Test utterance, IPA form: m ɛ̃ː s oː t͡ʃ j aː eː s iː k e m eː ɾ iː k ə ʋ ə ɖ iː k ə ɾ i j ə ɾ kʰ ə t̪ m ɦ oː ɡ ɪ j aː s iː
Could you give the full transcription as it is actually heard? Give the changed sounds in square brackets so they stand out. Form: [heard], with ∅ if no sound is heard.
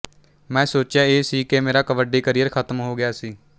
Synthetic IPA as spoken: m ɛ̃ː s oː t͡ʃ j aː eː s iː k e m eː ɾ [aː] k ə ʋ ə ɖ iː k ə ɾ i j ə ɾ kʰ ə t̪ m ɦ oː ɡ ɪ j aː s iː

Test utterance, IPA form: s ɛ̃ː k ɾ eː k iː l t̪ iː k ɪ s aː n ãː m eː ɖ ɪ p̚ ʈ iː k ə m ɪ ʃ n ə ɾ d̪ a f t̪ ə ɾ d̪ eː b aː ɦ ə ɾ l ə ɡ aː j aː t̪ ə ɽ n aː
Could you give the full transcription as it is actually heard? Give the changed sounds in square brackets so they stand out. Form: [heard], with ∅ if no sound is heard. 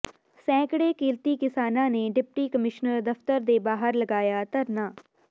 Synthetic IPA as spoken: s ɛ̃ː k [ɽ] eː k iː l t̪ iː k ɪ s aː n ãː [n] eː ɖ ɪ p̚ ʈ iː k ə m ɪ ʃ n ə ɾ d̪ [ə] f t̪ ə ɾ d̪ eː b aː ɦ ə ɾ l ə ɡ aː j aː t̪ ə [ɾ] n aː

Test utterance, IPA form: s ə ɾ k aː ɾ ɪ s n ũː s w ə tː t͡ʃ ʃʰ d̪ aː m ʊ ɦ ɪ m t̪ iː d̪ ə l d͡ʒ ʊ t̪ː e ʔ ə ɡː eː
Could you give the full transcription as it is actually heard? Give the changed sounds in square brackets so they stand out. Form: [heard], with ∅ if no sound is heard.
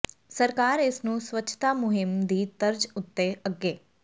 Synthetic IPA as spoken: s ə ɾ k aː ɾ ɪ s n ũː s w ə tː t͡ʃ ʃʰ [t̪] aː m ʊ ɦ ɪ m [d̪] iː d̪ ə [ɾ] d͡ʒ ʊ t̪ː e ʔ ə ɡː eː

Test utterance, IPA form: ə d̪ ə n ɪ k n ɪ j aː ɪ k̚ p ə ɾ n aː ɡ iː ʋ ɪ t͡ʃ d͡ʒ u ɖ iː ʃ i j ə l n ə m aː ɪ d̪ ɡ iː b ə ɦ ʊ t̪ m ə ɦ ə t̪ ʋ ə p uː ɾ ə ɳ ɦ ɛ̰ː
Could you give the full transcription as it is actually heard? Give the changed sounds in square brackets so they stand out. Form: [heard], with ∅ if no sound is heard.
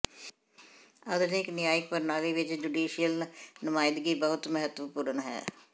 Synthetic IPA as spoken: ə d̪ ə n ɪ k n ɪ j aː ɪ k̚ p ə ɾ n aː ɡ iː ʋ ɪ t͡ʃ d͡ʒ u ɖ iː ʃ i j ə l n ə m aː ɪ d̪ ɡ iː b ə ɦ ʊ t̪ m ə ɦ ə t̪ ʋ ə p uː ɾ ə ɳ ɦ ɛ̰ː

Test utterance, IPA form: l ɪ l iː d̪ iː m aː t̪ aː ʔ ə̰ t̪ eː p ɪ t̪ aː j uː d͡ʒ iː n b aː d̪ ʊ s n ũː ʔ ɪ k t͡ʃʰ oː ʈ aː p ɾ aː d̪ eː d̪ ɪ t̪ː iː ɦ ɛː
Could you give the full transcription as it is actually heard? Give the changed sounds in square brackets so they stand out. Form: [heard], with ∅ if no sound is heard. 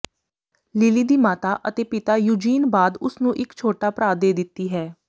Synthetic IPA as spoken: l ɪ l iː d̪ iː m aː t̪ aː ʔ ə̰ t̪ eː p ɪ t̪ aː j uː d͡ʒ iː n b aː d̪ ʊ s n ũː ʔ ɪ k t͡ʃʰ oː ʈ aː p ɾ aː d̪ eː d̪ ɪ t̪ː iː ɦ ɛː

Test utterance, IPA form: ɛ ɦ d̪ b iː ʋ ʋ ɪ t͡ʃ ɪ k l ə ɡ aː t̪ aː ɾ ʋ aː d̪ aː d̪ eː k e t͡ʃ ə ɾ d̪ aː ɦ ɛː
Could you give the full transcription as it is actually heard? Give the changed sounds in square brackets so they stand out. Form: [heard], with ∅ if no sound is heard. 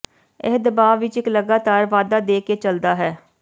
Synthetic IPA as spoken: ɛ ɦ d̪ b [aː] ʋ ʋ ɪ t͡ʃ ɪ k l ə ɡ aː t̪ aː ɾ ʋ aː d̪ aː d̪ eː k e t͡ʃ ə [l] d̪ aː ɦ ɛː

